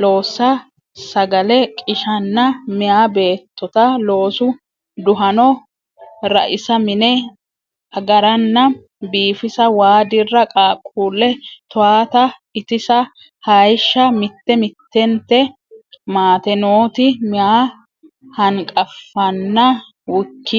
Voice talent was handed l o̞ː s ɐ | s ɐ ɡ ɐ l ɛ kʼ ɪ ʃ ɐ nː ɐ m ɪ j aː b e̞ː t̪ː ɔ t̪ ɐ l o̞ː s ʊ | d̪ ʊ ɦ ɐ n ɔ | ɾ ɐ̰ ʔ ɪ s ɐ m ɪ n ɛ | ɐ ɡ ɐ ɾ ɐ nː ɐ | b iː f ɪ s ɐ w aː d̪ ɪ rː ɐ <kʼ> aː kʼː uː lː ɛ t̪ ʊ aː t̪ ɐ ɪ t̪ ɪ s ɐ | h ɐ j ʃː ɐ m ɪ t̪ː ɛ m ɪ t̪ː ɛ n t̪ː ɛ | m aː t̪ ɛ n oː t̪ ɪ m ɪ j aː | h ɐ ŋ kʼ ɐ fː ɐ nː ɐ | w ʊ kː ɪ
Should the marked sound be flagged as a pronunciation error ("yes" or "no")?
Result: no